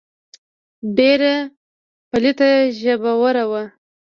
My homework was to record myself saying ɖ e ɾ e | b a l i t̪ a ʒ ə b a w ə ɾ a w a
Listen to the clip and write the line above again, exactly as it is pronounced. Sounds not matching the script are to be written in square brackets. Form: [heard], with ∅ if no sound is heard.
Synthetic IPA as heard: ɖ e ɾ [a] | [p] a l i t̪ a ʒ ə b a w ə ɾ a w a